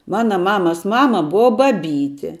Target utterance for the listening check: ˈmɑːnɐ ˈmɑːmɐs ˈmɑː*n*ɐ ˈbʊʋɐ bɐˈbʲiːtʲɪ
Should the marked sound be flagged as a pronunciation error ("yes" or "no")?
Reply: yes